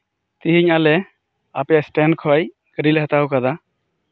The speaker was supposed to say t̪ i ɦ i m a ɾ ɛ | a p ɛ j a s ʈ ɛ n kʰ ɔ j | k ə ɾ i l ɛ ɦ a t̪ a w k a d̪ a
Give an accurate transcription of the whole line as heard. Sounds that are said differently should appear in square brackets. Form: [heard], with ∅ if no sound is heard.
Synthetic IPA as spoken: t̪ i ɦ i [ɲ] a [l] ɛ | a p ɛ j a s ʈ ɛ n kʰ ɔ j | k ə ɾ i l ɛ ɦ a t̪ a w k a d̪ a